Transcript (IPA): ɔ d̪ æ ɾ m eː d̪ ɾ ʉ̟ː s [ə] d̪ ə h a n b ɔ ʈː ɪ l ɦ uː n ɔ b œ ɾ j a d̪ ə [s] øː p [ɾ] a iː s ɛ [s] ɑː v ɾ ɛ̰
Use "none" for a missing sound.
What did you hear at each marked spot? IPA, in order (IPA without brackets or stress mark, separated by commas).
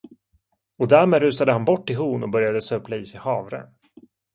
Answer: a, s, l, h